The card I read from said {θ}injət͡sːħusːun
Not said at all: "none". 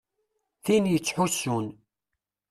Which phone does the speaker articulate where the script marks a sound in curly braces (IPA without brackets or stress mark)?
θ